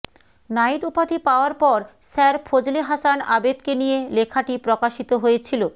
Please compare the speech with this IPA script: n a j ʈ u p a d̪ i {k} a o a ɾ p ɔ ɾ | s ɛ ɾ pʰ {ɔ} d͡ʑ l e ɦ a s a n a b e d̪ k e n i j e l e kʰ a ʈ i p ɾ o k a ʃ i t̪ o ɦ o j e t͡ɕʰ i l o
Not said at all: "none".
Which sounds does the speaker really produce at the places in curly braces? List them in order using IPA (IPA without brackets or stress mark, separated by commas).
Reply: p, o